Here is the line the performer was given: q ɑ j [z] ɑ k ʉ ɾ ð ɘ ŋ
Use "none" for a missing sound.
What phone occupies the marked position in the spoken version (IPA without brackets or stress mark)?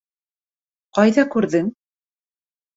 ð